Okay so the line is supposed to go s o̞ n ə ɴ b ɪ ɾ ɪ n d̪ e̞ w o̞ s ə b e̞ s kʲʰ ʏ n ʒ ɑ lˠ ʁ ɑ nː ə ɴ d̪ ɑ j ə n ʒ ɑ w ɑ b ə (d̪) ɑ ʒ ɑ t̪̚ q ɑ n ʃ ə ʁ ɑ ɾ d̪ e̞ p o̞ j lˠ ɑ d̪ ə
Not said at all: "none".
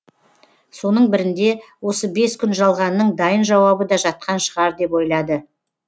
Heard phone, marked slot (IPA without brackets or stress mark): d̪